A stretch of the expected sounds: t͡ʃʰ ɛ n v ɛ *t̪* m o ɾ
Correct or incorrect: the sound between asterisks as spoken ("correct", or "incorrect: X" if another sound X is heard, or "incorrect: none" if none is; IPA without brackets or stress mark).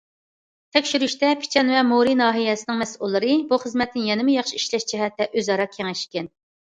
incorrect: none